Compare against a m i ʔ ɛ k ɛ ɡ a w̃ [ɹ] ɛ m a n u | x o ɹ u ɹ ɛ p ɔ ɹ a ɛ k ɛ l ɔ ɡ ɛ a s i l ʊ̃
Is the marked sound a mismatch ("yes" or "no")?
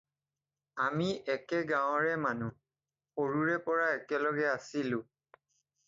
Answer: no